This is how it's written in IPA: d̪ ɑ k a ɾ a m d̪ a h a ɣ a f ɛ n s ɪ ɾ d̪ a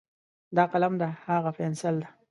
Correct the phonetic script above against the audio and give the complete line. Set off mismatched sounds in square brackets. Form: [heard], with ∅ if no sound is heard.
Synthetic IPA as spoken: d̪ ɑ [q] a [l] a m d̪ a h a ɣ a f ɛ n s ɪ [l] d̪ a